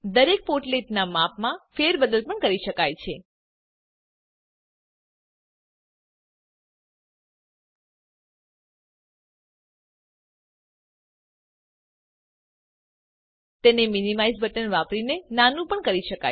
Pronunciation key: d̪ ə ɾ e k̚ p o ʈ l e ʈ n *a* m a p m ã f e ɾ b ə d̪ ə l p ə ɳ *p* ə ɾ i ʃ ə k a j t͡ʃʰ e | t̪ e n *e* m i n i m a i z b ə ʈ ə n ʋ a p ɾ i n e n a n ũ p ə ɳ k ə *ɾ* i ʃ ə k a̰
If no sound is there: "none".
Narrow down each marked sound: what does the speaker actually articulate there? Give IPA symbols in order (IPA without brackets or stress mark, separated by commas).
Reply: a, k, e, ɾ